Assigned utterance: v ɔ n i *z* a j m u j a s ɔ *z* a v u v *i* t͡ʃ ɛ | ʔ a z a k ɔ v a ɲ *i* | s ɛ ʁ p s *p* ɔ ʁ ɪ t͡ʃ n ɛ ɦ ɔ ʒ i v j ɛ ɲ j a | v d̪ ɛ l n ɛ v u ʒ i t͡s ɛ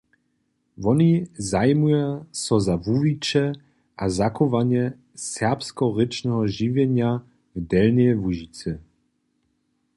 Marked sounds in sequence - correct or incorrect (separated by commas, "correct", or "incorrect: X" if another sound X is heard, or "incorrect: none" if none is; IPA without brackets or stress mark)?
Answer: correct, correct, correct, incorrect: ɛ, incorrect: k